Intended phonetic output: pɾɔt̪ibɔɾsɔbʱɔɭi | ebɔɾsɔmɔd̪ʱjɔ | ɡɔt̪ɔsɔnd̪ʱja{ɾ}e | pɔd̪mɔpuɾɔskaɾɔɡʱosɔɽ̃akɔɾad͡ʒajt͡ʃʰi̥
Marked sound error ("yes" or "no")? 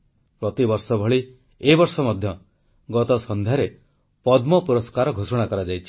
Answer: no